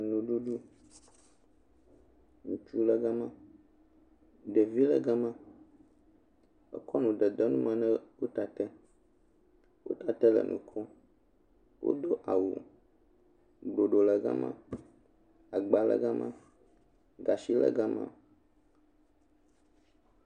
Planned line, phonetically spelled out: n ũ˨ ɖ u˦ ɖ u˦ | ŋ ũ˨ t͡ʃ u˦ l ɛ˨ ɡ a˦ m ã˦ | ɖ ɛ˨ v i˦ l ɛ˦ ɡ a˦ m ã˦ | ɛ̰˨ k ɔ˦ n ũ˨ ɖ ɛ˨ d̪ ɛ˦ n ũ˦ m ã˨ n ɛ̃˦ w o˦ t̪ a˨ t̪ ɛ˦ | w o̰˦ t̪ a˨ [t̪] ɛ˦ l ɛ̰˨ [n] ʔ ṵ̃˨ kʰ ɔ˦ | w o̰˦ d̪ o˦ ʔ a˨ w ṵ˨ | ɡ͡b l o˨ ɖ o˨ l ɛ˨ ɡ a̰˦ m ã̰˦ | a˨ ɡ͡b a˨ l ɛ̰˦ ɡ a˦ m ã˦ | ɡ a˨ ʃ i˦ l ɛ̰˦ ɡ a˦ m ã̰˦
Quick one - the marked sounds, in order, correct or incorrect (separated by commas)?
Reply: correct, correct